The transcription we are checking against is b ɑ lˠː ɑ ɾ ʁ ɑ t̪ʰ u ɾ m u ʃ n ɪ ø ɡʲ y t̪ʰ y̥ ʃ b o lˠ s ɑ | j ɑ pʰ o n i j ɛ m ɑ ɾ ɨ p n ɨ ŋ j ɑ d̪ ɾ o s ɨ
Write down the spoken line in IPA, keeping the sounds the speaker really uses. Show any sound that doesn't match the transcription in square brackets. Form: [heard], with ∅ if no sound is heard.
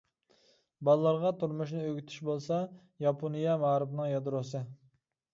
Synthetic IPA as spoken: b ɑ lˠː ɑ ɾ ʁ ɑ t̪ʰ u ɾ m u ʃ n ɪ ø ɡʲ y t̪ʰ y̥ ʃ b o lˠ s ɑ | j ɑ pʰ o n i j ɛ m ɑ ɾ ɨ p n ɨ ŋ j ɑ d̪ ɾ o s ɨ

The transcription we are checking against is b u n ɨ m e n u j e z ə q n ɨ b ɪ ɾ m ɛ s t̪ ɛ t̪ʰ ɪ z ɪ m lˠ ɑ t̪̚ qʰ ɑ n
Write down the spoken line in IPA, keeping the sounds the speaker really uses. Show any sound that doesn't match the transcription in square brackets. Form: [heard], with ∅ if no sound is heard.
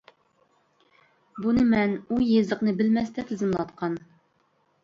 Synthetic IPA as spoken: b u n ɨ m [ɛ] n u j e z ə q n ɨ b ɪ [l] m ɛ s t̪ ɛ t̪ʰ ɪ z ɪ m lˠ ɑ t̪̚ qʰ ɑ n

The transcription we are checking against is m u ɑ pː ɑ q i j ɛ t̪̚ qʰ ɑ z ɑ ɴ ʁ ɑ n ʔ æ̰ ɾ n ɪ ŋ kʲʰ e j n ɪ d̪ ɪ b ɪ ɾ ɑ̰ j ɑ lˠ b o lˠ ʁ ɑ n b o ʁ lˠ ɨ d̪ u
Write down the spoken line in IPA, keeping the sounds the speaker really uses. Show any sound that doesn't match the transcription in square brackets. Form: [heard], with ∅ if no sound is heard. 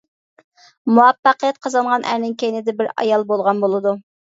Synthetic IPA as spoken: m u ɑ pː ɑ q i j ɛ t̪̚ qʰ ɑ z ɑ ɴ ʁ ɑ n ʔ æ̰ ɾ n ɪ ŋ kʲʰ e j n ɪ d̪ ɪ b ɪ ɾ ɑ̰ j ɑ lˠ b o lˠ ʁ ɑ n b o [∅] lˠ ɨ d̪ u

